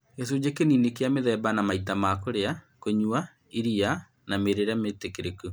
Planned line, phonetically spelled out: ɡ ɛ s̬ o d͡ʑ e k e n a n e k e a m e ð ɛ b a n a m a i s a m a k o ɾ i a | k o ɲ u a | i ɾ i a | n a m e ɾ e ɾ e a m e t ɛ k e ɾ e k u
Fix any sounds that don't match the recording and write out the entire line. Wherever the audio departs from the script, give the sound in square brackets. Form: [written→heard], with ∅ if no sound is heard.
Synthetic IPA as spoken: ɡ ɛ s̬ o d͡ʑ e k e n [a→i] n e k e a m e ð ɛ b a n a m a i [s→t] a m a k o ɾ [i→e] a | k o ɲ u a | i ɾ i a | n a m e ɾ e ɾ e a m e t [ɛ→e] k e ɾ e k u